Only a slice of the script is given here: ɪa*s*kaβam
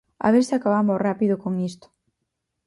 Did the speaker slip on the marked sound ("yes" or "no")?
yes